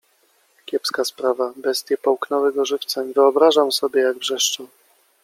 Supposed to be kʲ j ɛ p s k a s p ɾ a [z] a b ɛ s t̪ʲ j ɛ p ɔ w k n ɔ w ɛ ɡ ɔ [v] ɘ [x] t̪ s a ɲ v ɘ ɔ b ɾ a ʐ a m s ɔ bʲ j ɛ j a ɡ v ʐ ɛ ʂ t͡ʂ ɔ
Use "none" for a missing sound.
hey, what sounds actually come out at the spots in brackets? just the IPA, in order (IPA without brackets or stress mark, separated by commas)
v, ʐ, f